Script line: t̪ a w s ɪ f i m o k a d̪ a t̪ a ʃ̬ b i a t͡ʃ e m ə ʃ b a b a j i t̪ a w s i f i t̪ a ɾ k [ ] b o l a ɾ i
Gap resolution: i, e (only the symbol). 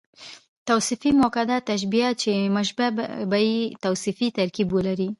i